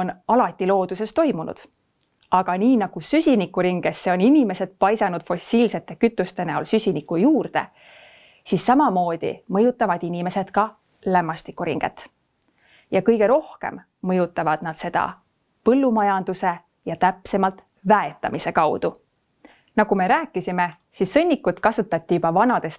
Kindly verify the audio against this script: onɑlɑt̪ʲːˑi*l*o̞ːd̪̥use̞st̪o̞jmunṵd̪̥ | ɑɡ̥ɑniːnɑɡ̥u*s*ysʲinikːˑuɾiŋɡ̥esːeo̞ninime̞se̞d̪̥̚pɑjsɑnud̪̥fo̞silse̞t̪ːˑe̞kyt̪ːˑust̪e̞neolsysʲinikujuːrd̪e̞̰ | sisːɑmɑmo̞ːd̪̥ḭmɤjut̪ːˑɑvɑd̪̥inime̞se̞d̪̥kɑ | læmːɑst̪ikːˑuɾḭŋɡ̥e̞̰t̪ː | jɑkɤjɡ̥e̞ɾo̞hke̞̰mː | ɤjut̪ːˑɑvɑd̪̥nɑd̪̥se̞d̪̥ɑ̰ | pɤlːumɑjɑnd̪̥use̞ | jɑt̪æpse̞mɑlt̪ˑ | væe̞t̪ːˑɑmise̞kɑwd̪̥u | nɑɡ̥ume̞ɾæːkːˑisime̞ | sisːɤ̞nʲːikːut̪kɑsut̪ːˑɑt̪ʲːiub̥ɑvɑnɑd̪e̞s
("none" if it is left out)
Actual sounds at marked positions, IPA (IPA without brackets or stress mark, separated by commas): l, s